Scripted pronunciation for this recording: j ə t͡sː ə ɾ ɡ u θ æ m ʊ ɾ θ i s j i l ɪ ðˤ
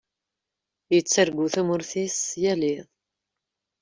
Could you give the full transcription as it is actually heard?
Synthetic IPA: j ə t͡sː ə ɾ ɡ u θ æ m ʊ ɾ θ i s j æ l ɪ ðˤ